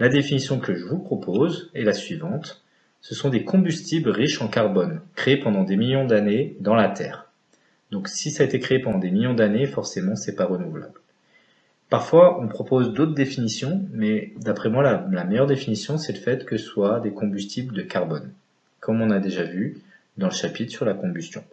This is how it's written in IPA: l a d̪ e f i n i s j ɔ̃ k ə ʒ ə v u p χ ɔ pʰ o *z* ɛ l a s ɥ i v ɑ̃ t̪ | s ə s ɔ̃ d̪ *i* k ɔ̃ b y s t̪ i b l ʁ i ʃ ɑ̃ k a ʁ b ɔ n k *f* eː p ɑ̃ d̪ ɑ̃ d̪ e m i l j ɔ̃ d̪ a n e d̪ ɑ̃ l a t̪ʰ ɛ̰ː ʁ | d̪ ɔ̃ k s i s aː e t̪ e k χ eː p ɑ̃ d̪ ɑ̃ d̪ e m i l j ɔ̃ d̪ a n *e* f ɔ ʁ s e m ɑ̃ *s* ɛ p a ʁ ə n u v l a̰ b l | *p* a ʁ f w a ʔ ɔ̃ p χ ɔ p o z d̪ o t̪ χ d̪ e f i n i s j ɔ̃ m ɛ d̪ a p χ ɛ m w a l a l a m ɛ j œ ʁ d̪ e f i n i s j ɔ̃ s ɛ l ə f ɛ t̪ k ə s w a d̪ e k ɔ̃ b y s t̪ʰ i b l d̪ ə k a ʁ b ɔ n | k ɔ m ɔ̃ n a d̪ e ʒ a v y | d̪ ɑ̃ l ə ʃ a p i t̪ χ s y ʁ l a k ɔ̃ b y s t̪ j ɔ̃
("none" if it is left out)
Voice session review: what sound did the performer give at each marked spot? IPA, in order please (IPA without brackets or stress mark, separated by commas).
z, e, χ, e, s, p